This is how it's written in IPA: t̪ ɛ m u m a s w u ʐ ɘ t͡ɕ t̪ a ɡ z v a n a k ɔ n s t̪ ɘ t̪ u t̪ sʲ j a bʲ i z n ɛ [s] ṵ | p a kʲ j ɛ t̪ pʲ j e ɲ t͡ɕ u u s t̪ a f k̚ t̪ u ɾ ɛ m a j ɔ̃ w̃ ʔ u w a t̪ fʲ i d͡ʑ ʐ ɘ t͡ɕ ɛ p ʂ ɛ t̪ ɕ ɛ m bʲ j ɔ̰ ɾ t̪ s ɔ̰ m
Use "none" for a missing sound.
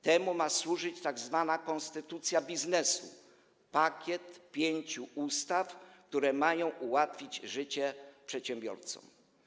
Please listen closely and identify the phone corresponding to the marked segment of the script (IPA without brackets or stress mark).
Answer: s